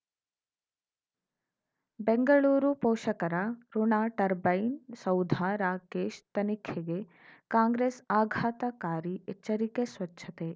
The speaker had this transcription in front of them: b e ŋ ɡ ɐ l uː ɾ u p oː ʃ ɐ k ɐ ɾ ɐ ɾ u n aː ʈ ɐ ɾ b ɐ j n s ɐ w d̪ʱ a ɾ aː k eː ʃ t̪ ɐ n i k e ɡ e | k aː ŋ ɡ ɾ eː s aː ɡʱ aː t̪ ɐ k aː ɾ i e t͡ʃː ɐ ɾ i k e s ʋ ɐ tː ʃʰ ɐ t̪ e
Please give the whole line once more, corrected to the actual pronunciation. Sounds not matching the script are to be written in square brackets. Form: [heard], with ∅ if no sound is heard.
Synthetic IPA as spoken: b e ŋ ɡ ɐ [ɭ] uː ɾ u p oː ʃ ɐ k ɐ ɾ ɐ ɾ u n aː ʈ ɐ ɾ b ɐ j n s ɐ w d̪ʱ a ɾ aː k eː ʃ t̪ ɐ n i [kʰ] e ɡ e | k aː ŋ ɡ ɾ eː s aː ɡʱ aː t̪ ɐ k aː ɾ i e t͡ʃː ɐ ɾ i k e s ʋ ɐ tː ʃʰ ɐ t̪ e